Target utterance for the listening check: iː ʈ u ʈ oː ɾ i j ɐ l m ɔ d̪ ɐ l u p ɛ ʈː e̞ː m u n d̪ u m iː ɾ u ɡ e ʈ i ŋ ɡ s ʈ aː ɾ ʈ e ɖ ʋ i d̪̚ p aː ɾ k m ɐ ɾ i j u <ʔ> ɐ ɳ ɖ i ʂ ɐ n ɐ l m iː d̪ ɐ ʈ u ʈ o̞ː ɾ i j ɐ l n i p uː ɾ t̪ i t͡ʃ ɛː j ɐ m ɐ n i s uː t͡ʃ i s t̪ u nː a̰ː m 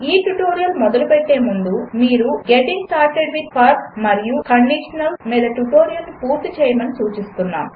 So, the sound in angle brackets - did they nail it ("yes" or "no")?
no